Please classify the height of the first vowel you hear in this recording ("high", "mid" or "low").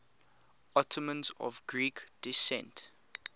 mid